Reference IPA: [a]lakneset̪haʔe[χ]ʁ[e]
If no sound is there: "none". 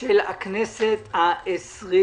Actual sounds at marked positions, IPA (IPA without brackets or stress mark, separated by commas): e, s, i